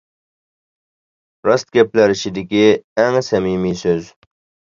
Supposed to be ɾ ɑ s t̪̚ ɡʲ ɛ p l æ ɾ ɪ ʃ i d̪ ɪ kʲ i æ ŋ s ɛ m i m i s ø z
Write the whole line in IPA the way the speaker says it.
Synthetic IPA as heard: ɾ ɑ s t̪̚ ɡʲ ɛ p l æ ɾ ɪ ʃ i d̪ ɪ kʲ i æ ŋ s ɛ m i m i s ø z

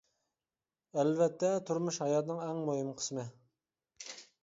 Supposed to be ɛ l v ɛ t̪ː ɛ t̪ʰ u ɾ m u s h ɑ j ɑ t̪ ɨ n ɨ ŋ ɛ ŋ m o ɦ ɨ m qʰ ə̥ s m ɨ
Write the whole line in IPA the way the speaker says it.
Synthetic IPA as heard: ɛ l v ɛ t̪ː ɛ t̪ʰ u ɾ m u ʃ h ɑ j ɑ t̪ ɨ n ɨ ŋ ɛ ŋ m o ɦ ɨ m qʰ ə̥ s m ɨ

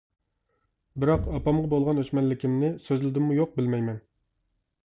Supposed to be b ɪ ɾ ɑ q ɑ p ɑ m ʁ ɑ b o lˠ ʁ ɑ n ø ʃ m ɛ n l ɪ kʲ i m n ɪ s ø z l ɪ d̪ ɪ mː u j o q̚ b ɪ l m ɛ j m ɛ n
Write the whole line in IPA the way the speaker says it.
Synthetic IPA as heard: b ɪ ɾ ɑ q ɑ p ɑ m ʁ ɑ b o lˠ ʁ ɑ n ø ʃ m ɛ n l ɪ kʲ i m n ɪ s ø z l ɪ d̪ ɪ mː u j o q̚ b ɪ l m ɛ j m ɛ n

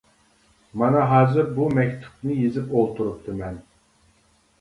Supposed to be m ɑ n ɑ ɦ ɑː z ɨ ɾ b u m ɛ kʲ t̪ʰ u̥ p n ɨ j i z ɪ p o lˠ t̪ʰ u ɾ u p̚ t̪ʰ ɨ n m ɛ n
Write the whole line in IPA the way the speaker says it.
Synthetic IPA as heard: m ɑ n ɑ ɦ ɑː z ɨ ɾ b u m ɛ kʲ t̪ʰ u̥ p n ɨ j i z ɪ p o lˠ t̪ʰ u ɾ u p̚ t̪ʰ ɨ m ɛ n

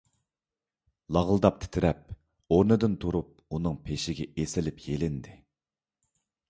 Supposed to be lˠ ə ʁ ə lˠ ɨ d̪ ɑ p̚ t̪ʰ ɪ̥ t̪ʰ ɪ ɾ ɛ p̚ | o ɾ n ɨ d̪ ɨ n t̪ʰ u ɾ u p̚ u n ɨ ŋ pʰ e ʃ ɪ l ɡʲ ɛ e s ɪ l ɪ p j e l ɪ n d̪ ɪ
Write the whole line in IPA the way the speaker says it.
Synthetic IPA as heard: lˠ ɑ ʁ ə lˠ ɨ d̪ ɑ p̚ t̪ʰ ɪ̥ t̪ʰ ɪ ɾ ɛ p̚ | o ɾ n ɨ d̪ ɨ n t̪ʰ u ɾ u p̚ u n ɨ ŋ pʰ e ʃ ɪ ɡʲ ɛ e s ɪ l ɪ p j e l ɪ n d̪ ɪ

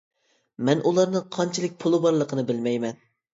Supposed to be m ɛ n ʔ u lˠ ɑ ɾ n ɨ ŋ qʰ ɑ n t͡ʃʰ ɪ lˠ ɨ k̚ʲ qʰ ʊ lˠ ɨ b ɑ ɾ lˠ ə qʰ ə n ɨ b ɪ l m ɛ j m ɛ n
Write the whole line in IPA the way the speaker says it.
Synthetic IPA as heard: m ɛ n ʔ u lˠ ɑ ɾ n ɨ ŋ qʰ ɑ n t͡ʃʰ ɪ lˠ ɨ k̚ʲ pʰ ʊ lˠ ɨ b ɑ ɾ lˠ ə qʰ ə n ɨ b ɪ l m ɛ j m ɛ n

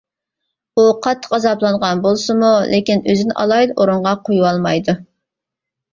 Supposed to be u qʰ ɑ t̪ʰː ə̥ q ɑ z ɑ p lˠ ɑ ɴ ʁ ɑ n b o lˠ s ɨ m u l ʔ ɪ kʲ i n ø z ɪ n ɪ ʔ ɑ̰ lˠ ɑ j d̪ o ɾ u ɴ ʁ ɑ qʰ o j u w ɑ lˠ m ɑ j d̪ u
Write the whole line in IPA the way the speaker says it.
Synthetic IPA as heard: u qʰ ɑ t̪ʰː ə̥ q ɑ z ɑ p lˠ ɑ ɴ ʁ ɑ n b o lˠ s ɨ m u l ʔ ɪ kʲ i n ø z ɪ n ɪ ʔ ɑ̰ lˠ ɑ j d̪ o ɾ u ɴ ʁ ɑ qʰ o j u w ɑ lˠ m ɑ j d̪ u

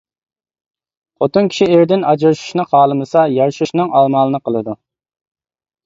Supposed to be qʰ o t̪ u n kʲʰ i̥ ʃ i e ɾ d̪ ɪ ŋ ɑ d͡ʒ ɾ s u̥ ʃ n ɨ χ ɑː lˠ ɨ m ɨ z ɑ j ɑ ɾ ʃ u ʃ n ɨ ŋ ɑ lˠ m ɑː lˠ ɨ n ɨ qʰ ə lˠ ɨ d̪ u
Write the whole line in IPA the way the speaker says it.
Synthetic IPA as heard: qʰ o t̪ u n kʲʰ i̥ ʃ i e ɾ d̪ ɪ n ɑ d͡ʒ ɾ ʃ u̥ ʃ n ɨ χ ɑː lˠ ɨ m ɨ s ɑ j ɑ ɾ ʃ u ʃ n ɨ ŋ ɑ lˠ m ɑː lˠ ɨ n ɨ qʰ ə lˠ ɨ d̪ u

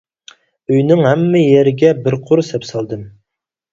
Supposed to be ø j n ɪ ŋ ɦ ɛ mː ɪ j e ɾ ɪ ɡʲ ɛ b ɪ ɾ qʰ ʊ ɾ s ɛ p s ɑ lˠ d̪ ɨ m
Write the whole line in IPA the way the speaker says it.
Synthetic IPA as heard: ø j n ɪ ŋ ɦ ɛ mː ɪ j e ɾ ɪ ɡʲ ɛ b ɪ ɾ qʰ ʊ ɾ s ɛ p s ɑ lˠ d̪ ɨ m

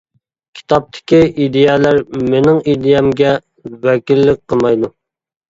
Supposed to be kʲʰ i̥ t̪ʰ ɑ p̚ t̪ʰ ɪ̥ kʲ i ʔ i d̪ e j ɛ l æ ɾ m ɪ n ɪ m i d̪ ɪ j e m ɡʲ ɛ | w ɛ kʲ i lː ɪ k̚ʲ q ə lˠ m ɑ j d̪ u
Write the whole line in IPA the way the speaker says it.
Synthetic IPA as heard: kʲʰ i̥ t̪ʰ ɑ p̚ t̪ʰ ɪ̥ kʲ i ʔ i d̪ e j ɛ l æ ɾ m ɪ n ɪ ŋ i d̪ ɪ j ɛ m ɡʲ ɛ | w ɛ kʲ i lː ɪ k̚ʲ q ə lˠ m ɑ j d̪ u

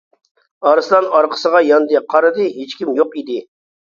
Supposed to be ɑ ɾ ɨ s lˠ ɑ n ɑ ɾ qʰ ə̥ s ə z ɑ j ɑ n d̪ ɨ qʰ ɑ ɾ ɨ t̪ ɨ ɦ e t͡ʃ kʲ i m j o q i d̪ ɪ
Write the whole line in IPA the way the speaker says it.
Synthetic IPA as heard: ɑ ɾ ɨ s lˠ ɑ n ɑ ɾ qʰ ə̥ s ə ʁ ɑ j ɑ n d̪ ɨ qʰ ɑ ɾ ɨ d̪ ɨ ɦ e t͡ʃ kʲ i m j o q i d̪ ɪ

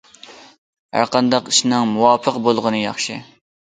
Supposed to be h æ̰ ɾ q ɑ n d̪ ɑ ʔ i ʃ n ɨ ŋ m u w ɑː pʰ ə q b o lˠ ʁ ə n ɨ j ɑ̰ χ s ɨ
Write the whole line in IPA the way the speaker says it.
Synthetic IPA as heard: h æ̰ ɾ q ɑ n d̪ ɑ q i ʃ n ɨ ŋ m u w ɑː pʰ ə q b o lˠ ʁ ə n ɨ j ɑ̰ χ ʃ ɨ

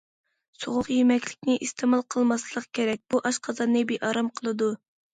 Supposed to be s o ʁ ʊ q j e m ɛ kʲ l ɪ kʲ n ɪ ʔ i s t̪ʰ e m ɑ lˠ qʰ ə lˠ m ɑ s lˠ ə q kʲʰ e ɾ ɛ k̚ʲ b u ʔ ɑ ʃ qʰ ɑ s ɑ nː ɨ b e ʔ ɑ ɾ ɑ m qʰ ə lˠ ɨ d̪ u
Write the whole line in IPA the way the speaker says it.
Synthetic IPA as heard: s o ʁ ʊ q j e m ɛ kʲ l ɪ kʲ n ɪ ʔ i s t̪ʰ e m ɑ lˠ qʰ ə lˠ m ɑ s lˠ ə q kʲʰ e ɾ ɛ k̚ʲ b u ʔ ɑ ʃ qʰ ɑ z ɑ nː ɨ b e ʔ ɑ ɾ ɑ m qʰ ə lˠ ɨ d̪ u

